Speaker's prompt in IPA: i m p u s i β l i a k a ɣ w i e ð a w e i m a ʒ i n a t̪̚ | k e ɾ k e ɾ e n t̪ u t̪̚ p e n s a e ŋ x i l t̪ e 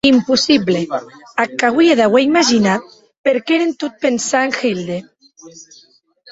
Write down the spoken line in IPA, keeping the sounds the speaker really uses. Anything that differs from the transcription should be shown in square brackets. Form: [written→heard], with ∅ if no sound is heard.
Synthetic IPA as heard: i m p u s i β l [i→e] a k a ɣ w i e ð a w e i m a ʒ i n a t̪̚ | [k→p] e ɾ k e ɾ e n t̪ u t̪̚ p e n s a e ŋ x i l [t̪→d̪] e